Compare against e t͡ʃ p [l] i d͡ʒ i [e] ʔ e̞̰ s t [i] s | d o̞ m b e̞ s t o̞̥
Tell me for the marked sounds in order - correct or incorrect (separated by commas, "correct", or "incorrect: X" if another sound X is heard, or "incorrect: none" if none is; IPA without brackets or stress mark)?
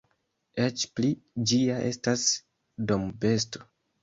correct, incorrect: a, incorrect: a